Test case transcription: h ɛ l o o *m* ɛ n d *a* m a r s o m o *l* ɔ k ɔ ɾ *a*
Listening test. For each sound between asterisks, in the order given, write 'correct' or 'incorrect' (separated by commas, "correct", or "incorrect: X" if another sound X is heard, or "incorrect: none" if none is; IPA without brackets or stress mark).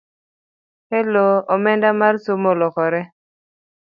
correct, correct, correct, incorrect: ɛ